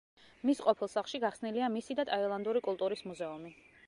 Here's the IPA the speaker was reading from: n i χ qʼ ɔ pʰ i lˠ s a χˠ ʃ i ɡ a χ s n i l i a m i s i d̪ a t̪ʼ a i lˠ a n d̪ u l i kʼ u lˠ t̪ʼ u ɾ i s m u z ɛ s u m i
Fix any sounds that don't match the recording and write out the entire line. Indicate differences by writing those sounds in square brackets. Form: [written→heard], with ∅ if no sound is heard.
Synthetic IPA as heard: [n→m] i [χ→s] qʼ ɔ pʰ i lˠ s a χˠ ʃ i ɡ a χ s n i l i a m i s i d̪ a t̪ʼ a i lˠ a n d̪ u [l→ɾ] i kʼ u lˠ t̪ʼ u ɾ i s m u z ɛ [s→∅] u m i